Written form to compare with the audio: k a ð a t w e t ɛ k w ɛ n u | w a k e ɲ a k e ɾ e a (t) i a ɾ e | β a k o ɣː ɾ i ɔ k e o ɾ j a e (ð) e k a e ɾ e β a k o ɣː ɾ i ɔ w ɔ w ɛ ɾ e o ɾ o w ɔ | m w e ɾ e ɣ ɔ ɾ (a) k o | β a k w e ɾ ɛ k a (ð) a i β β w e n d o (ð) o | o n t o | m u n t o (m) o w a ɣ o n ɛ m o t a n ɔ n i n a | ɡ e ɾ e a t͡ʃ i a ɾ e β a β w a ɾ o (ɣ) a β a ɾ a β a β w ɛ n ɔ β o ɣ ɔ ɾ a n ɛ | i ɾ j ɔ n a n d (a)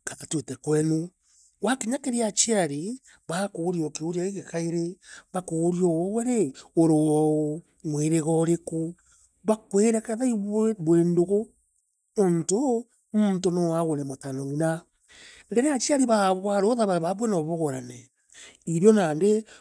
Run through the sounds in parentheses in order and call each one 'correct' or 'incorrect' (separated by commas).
incorrect, incorrect, incorrect, correct, incorrect, incorrect, incorrect, incorrect